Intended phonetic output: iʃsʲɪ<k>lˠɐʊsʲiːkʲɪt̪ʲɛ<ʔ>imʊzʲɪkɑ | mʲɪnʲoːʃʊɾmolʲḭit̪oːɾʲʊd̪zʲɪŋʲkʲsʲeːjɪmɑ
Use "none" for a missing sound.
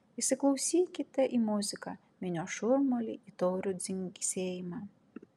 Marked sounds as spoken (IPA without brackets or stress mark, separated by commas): k, ʔ